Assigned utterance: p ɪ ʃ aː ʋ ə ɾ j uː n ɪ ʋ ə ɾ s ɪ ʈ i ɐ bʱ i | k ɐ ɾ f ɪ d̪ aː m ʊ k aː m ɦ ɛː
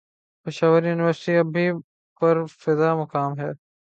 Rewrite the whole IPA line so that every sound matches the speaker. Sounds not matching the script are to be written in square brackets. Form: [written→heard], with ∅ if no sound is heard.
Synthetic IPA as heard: p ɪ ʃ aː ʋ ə ɾ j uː n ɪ ʋ ə ɾ s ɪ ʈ i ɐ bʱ i | [k→p] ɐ ɾ f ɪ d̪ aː m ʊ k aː m ɦ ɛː